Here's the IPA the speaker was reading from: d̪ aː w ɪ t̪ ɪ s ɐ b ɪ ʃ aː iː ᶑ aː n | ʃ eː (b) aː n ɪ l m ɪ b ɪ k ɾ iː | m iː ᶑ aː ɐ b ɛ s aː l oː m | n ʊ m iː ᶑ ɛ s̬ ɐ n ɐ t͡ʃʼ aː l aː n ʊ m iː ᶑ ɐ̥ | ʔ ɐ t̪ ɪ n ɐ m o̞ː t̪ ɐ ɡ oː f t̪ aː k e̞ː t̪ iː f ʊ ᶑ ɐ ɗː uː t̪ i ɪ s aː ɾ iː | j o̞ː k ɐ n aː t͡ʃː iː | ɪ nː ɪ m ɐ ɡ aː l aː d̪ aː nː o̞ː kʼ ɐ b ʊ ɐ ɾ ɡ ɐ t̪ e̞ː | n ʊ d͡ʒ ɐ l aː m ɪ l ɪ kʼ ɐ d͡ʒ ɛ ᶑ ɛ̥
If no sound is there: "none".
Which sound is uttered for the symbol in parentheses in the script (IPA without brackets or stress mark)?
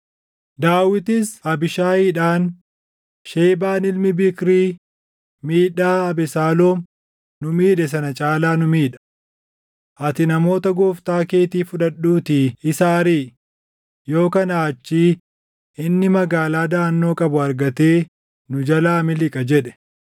b